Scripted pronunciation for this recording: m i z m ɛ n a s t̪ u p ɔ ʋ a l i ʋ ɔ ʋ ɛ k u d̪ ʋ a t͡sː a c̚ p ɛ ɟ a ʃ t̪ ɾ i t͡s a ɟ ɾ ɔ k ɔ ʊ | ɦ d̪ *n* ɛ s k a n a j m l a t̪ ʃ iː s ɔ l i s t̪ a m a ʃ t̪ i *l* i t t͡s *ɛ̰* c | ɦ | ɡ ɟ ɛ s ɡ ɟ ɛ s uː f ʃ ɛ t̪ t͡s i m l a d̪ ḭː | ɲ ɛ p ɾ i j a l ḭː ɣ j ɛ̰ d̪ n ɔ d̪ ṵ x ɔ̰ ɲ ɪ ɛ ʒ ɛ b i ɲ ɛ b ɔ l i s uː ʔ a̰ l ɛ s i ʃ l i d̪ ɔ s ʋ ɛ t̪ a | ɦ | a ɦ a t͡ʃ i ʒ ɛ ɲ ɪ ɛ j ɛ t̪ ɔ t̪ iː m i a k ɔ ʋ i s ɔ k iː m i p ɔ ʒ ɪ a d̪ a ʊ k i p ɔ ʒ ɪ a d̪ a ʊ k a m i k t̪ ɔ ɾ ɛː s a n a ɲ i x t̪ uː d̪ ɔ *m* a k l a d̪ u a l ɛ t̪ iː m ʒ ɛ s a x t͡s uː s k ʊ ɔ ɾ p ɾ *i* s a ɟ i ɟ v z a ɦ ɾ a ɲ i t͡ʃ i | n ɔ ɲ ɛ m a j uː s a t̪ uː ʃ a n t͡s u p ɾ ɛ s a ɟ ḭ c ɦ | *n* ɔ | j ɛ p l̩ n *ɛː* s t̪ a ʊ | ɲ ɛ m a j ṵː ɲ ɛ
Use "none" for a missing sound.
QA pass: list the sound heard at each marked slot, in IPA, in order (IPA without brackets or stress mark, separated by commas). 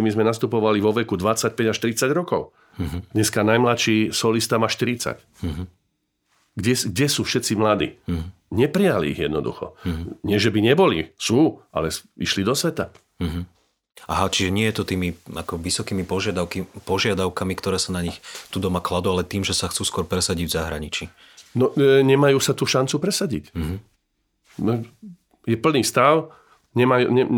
ɲ, ɾ, a̰, m, ɛ, n, iː